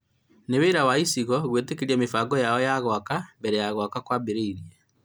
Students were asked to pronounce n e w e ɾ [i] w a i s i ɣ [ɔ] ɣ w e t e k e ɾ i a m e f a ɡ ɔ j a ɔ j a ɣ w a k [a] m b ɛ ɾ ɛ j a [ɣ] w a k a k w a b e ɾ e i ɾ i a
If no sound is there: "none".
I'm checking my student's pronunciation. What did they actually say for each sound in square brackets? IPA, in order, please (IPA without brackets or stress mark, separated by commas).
a, ɔ, a, ɣ